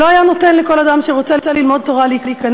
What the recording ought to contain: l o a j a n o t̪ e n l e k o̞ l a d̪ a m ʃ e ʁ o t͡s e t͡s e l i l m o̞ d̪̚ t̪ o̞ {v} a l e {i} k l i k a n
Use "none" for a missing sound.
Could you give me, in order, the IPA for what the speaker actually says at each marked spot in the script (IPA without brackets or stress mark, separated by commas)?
ʁ, i